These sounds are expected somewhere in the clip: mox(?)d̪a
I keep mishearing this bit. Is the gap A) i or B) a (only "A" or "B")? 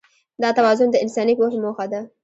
B